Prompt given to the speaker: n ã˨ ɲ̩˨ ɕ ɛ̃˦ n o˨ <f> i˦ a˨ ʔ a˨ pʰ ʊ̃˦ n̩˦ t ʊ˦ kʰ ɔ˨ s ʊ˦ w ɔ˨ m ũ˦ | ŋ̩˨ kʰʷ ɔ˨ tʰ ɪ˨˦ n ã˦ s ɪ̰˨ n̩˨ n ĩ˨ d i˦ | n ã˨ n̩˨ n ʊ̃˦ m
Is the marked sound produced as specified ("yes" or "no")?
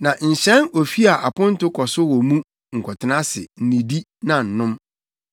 yes